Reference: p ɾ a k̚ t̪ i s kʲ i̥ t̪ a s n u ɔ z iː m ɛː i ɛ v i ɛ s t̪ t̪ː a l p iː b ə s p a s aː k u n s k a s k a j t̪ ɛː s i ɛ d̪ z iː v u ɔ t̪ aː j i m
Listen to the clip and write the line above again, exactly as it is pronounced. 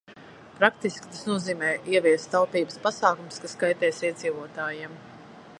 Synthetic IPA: p ɾ a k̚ t̪ i s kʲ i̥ t̪ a s n u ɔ z iː m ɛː i ɛ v i ɛ s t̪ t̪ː a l p iː b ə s p a s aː k u m s k a s k a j t̪ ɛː s i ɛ d̪ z iː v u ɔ t̪ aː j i m